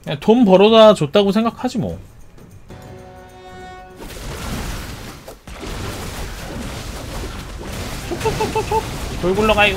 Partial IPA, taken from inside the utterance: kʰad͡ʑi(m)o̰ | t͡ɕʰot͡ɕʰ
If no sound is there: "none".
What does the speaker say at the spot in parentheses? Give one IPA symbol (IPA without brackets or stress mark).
m